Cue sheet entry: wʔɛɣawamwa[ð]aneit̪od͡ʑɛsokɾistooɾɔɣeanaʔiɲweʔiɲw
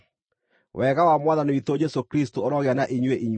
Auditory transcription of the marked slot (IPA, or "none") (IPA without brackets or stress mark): ð